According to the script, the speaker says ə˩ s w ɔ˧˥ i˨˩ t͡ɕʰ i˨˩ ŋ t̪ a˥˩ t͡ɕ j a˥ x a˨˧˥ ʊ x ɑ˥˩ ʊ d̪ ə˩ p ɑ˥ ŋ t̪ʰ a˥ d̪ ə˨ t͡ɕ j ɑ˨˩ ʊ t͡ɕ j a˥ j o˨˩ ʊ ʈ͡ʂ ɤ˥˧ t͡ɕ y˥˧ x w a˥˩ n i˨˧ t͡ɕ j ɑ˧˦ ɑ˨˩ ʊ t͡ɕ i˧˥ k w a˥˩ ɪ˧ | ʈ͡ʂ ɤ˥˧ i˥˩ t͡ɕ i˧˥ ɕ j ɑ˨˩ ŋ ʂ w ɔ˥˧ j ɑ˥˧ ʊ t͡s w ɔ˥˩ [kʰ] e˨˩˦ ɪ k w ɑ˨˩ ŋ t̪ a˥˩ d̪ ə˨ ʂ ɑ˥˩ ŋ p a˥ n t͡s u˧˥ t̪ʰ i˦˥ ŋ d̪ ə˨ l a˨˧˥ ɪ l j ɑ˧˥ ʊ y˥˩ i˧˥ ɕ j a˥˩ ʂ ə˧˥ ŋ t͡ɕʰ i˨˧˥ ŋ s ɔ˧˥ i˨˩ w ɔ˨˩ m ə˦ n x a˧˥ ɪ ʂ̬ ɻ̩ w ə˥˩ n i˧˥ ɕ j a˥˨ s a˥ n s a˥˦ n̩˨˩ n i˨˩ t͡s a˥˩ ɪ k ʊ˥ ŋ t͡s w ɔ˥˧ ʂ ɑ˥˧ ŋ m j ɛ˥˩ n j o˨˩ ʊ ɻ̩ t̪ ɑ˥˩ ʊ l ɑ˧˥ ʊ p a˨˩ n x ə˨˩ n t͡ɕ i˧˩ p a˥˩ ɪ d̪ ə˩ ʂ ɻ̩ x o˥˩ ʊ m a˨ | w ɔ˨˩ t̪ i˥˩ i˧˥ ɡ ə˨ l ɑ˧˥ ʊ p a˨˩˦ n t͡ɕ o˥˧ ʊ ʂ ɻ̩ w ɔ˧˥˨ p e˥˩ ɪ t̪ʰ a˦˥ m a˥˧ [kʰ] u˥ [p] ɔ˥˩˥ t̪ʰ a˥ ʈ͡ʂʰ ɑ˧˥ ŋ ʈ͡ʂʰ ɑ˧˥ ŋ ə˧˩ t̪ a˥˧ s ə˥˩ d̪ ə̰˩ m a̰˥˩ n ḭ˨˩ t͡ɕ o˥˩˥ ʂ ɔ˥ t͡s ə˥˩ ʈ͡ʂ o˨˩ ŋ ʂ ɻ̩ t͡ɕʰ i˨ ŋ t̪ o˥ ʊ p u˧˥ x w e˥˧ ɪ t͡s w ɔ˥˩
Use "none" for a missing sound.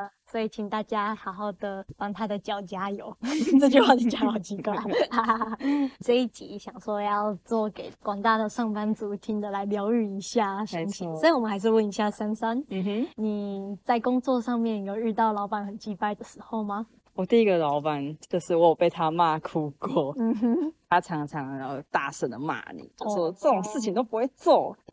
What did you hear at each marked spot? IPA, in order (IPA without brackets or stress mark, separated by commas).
k, kʰ, k